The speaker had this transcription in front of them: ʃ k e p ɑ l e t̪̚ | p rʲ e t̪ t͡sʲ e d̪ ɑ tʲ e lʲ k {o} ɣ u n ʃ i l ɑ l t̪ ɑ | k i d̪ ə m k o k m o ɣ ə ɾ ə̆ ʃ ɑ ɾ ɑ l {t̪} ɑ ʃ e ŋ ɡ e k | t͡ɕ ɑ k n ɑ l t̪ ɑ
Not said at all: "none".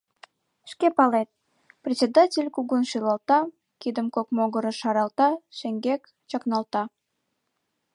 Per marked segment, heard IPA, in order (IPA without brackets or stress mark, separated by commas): u, t̪